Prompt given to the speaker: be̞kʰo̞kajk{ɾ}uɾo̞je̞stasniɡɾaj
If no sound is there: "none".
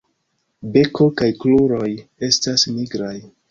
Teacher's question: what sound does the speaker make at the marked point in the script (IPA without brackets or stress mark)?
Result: l